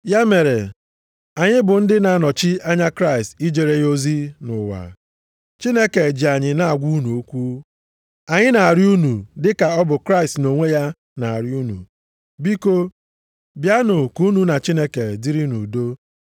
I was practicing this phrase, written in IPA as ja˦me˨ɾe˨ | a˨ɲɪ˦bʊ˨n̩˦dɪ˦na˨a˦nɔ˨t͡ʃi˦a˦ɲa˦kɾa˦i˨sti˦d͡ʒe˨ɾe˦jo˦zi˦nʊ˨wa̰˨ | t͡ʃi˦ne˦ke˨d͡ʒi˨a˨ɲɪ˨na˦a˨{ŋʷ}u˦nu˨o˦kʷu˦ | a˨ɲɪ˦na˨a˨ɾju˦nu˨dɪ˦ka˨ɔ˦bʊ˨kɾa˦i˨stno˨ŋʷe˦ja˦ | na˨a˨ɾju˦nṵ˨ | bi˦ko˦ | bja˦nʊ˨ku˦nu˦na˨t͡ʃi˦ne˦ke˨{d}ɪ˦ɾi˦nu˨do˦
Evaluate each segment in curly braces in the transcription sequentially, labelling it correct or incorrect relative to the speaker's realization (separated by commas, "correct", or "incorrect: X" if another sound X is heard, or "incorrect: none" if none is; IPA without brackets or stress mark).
incorrect: ɡʷ, correct